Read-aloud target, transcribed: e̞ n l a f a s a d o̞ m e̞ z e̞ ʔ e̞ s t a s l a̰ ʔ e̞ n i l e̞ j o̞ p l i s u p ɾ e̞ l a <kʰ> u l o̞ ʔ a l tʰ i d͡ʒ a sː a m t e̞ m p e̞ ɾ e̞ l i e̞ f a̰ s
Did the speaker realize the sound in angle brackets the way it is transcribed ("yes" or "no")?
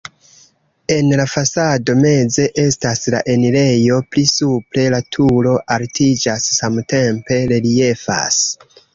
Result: no